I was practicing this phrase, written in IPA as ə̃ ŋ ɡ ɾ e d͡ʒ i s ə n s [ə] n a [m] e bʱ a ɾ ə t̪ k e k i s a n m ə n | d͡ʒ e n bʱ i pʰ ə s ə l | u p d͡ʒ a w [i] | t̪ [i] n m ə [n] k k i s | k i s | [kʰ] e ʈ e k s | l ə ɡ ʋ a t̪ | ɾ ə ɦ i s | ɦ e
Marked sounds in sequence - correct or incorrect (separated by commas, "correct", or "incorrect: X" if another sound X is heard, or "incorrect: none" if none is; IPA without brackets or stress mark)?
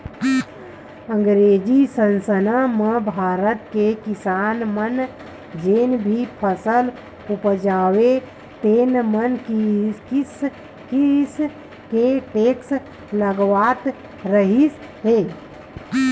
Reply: correct, correct, incorrect: e, incorrect: e, correct, incorrect: k